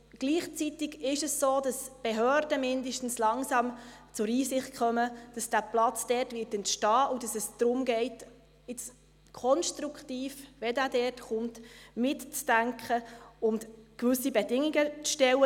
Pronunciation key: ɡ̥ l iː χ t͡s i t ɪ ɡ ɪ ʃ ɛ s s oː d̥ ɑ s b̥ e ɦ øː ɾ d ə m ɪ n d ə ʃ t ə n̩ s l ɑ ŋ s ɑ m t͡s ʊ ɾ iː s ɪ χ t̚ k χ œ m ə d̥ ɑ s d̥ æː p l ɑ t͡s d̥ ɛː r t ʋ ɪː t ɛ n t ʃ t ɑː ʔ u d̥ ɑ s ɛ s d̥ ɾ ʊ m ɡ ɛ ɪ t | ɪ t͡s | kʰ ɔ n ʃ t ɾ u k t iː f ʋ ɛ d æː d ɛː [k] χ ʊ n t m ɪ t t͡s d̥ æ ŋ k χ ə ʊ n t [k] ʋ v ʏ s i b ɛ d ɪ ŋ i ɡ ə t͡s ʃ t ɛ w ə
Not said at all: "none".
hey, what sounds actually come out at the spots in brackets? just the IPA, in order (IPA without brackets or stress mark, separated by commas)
t, k